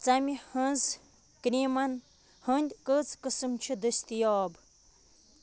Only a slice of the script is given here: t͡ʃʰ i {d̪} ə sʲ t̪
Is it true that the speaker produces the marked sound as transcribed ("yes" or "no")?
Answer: yes